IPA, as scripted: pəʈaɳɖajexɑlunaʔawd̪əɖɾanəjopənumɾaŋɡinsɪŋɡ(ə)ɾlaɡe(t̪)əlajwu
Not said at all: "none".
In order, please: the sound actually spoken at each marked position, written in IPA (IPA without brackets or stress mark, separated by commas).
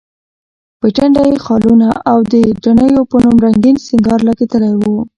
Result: ɑ, t̪